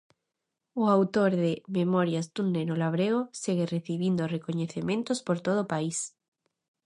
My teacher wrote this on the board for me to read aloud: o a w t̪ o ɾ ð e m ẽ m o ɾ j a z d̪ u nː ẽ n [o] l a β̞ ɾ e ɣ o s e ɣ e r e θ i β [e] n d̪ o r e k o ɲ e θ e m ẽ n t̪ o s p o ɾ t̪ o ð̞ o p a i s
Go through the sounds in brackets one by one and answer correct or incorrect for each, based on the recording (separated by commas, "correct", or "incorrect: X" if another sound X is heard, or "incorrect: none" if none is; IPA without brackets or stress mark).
correct, incorrect: i